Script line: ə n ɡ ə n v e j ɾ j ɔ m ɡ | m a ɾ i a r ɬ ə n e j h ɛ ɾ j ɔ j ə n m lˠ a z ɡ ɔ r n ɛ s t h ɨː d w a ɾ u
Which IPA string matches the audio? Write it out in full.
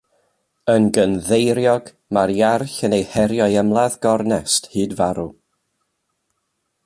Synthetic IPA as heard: ə n ɡ ə n ð e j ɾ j ɔ ɡ | m a ɾ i a r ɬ ə n e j h ɛ ɾ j ɔ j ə m lˠ a ð ɡ ɔ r n ɛ s t h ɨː d v a ɾ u